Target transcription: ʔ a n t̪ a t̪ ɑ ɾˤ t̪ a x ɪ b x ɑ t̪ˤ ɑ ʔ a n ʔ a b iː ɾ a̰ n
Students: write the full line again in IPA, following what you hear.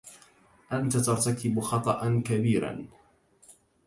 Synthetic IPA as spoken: ʔ a n t̪ a t̪ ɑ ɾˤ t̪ a k ɪ b x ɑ t̪ˤ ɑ ʔ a n k a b iː ɾ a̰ n